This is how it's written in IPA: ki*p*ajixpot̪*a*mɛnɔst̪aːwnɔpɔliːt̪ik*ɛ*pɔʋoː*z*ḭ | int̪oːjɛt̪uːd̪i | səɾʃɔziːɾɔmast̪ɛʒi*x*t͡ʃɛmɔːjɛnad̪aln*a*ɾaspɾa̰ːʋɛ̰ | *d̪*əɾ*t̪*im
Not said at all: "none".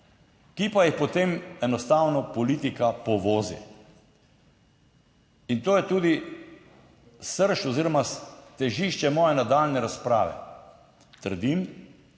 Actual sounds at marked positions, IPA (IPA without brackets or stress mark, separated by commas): p, e, a, z, ʃ, ɛ, t̪, d̪